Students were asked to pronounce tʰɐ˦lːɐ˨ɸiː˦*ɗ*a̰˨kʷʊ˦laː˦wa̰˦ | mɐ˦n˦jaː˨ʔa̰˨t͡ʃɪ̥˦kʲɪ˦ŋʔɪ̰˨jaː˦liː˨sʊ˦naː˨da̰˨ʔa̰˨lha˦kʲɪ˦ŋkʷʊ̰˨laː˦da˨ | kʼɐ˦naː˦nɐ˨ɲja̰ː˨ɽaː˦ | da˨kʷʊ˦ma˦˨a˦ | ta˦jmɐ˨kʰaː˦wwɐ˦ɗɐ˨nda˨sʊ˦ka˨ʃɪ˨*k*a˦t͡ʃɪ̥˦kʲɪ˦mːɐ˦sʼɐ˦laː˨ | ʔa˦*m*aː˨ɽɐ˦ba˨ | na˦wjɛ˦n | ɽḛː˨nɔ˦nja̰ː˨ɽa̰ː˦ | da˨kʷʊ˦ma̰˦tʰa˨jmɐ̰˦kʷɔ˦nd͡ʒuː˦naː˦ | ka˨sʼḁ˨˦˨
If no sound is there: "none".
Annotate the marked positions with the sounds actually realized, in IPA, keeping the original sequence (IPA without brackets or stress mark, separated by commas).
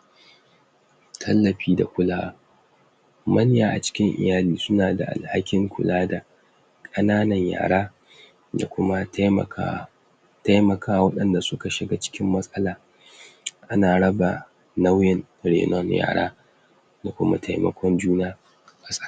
d, ɡ, n